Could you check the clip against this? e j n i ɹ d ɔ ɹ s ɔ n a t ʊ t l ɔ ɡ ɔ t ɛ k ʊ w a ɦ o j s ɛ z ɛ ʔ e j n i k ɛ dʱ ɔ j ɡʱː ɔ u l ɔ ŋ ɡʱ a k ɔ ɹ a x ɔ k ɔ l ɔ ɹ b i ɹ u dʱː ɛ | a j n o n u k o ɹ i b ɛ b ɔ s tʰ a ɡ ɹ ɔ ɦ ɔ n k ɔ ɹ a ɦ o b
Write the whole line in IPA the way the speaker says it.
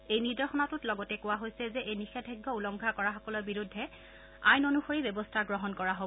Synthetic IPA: e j n i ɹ d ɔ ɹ x ɔ n a t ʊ t l ɔ ɡ ɔ t ɛ k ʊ w a ɦ o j s ɛ z ɛ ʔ e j n i x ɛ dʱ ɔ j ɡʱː ɔ u l ɔ ŋ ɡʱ a k ɔ ɹ a x ɔ k ɔ l ɔ ɹ b i ɹ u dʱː ɛ | a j n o n u x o ɹ i b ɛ b ɔ s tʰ a ɡ ɹ ɔ ɦ ɔ n k ɔ ɹ a ɦ o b